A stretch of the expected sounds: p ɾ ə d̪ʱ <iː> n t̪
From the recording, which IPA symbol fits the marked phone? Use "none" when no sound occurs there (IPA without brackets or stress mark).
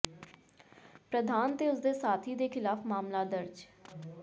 aː